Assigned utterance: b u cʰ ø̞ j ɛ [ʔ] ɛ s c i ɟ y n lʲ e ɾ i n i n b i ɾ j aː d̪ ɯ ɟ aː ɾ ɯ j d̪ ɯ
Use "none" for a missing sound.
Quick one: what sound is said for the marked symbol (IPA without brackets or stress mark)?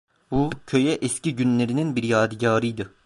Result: ʔ